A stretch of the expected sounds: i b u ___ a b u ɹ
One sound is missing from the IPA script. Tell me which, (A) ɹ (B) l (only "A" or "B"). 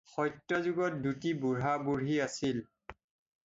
A